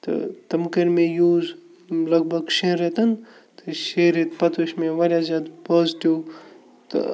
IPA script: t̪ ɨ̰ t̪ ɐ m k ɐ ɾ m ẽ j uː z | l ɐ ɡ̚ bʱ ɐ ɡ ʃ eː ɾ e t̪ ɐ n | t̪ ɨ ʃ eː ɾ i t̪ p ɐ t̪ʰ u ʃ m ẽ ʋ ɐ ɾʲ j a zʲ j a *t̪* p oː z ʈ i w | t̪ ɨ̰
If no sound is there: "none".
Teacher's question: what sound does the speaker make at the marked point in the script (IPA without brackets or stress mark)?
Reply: d̪